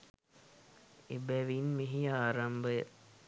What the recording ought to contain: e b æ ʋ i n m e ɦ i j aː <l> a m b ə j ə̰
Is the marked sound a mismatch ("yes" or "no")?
yes